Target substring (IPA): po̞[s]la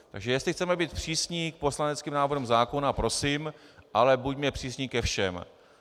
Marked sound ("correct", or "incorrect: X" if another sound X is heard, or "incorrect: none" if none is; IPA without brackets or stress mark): correct